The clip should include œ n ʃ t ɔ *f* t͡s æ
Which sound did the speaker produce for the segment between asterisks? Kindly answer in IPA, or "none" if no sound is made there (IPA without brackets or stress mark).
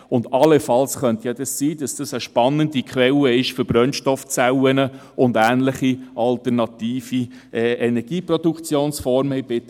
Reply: f